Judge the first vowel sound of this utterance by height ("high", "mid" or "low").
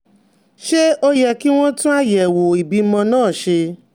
mid